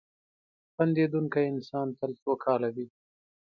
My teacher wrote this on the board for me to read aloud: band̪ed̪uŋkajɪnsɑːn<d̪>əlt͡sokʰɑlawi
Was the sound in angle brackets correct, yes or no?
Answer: no